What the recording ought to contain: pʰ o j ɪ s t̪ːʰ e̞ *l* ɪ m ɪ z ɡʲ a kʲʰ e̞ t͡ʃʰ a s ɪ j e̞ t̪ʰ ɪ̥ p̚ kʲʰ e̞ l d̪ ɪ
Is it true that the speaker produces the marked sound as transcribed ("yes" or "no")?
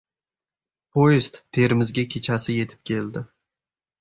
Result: no